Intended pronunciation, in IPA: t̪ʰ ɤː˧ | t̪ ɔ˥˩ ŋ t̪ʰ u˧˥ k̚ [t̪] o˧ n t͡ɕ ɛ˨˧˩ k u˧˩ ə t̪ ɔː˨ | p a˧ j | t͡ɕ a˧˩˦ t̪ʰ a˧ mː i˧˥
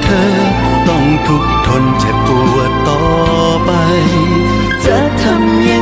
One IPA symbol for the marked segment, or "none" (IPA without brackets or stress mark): t̪ʰ